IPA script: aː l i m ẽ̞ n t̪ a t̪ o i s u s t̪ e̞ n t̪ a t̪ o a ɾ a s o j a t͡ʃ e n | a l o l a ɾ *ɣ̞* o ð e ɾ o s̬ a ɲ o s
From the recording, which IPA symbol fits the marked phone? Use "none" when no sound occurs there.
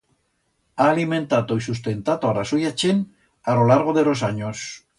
ɣ̞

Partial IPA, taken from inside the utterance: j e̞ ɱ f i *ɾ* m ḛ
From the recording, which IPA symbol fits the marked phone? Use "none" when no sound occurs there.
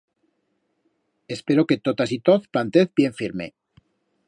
ɾ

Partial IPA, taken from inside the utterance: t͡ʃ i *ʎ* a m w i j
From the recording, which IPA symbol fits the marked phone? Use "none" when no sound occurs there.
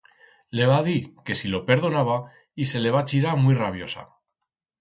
ɾ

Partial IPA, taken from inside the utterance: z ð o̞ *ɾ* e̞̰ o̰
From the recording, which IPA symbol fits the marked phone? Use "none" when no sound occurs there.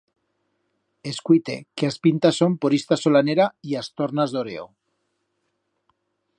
ɾ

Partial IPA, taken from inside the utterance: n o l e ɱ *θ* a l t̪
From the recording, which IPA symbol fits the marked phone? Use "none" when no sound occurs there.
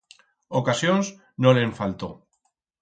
f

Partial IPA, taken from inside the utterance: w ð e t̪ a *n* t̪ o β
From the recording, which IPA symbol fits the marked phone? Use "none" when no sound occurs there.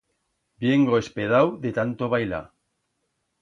n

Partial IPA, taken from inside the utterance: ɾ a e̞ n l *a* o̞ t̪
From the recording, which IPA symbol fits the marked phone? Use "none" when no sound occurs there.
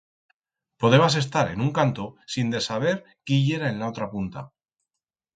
a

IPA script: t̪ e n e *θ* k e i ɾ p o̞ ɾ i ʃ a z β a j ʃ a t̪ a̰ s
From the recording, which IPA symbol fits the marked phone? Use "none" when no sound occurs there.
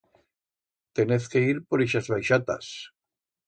θ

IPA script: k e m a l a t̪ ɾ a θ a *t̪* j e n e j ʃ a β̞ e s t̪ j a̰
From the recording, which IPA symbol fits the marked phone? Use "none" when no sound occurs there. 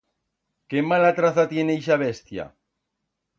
t̪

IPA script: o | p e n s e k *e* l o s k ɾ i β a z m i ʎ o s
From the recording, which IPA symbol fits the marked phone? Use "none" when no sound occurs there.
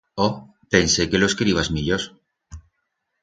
e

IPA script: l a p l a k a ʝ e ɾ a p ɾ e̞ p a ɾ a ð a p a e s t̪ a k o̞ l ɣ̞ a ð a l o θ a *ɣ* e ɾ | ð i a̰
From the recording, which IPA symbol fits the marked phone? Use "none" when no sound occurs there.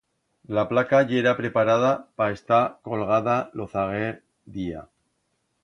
ɣ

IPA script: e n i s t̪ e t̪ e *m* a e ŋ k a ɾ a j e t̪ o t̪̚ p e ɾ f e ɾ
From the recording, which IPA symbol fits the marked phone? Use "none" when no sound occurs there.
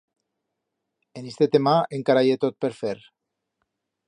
m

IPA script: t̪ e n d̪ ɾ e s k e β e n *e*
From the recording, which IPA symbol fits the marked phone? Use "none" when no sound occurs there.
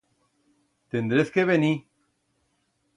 i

